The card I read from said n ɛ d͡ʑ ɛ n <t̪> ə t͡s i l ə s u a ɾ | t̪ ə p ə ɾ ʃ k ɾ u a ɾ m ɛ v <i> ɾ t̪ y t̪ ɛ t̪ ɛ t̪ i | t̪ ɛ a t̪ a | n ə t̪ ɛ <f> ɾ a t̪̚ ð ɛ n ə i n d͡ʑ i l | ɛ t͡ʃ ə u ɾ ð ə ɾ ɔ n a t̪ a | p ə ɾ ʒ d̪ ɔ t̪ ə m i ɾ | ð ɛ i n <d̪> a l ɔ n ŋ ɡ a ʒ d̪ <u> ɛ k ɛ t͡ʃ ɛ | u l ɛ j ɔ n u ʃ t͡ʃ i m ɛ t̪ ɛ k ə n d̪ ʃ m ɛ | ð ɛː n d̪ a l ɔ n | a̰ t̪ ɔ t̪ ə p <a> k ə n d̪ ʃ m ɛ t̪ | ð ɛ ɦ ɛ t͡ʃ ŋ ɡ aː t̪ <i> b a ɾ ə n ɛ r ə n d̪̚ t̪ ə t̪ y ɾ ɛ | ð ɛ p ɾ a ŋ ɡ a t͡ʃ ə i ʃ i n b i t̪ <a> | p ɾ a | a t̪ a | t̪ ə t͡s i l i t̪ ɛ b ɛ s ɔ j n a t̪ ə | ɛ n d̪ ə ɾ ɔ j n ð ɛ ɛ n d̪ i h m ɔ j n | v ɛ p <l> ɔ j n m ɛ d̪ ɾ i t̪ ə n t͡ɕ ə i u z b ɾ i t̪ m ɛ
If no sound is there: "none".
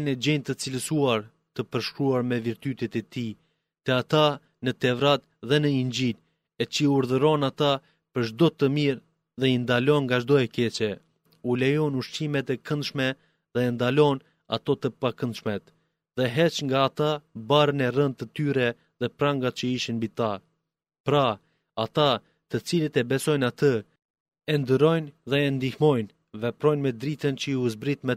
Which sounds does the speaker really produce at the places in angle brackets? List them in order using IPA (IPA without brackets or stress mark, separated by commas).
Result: t̪, i, v, d̪, ɔ, a, a, a, ɾ